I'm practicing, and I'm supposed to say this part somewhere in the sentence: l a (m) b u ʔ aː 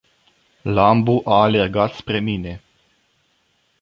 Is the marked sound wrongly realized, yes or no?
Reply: no